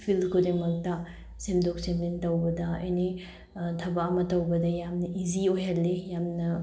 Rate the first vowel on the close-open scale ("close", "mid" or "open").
close